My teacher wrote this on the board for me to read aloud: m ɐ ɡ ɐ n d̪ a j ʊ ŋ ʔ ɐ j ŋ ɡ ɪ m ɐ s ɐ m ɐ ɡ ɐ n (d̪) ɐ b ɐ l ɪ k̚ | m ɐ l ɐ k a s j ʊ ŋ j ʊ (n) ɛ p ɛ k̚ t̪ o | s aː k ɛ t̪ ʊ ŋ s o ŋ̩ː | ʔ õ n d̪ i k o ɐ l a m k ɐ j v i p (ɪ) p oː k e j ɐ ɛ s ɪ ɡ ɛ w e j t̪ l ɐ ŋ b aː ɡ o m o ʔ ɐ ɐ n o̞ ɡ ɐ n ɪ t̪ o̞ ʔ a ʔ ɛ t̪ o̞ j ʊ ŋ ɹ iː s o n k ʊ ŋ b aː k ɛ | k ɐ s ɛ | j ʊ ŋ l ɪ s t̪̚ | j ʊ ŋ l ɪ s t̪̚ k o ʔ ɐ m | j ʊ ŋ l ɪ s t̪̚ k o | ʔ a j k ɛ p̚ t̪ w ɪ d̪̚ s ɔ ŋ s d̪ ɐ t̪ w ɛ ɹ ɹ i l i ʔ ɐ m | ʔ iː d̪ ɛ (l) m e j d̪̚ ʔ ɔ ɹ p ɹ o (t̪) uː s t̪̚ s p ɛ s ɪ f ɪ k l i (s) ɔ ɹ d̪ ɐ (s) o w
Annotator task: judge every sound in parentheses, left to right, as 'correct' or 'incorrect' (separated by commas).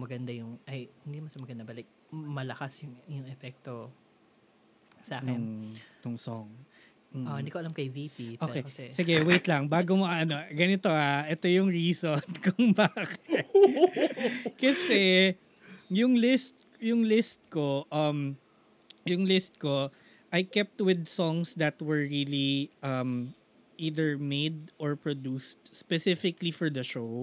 correct, incorrect, incorrect, incorrect, incorrect, incorrect, incorrect